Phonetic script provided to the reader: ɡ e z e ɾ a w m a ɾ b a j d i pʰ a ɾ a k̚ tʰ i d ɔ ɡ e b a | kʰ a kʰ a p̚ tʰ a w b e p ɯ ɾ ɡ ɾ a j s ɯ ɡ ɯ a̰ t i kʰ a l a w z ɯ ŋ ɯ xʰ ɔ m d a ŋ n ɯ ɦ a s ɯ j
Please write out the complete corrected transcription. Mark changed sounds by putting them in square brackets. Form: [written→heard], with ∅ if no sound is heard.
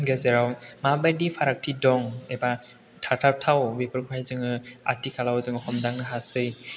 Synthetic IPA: ɡ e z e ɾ a w m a [ɾ→∅] b a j d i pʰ a ɾ a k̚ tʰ i d ɔ [ɡ→ŋ] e b a | [kʰ→tʰ] a [kʰ→tʰ] a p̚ tʰ a w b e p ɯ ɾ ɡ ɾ a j [s→z] ɯ [ɡ→ŋ] ɯ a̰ t i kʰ a l a w z ɯ ŋ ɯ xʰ ɔ m d a ŋ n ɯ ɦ a s ɯ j